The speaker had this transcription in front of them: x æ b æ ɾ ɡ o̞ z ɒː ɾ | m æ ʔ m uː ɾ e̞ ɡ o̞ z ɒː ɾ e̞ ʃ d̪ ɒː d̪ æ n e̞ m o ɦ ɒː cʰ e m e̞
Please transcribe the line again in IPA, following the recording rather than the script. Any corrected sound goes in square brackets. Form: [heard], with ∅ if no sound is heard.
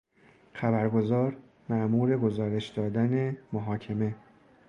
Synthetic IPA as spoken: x æ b æ ɾ ɡ o̞ z ɒː ɾ | m æ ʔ m uː ɾ e̞ ɡ o̞ z ɒː ɾ e̞ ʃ d̪ ɒː d̪ æ n e̞ m o ɦ ɒː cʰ e m e̞